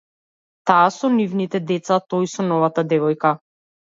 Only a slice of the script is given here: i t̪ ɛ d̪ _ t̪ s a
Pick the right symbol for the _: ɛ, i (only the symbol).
ɛ